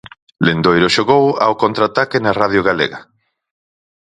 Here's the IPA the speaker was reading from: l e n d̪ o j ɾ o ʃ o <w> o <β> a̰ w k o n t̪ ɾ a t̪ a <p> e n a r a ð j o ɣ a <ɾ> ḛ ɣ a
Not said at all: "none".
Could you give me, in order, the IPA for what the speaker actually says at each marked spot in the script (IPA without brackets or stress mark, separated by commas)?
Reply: ɣ, w, k, l